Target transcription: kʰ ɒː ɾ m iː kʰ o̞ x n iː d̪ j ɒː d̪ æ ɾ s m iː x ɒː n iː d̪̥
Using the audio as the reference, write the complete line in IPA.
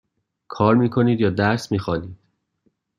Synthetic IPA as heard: kʰ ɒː ɾ m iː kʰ o̞ n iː d̪ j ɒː d̪ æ ɾ s m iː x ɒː n iː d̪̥